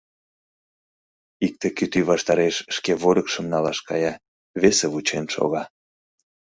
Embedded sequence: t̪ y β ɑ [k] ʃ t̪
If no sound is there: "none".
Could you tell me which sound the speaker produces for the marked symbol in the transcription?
none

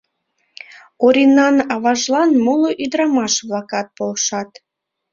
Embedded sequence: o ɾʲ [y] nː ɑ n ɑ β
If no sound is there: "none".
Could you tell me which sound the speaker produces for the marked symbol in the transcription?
i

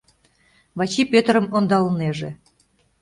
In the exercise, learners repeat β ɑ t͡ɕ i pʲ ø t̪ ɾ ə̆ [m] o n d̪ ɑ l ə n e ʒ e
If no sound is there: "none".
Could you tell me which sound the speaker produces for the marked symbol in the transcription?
m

